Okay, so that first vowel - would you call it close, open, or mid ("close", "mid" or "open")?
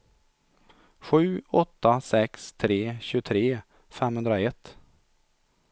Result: close